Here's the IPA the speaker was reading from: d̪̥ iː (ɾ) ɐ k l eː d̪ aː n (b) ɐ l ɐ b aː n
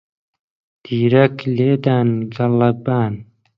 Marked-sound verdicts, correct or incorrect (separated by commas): correct, incorrect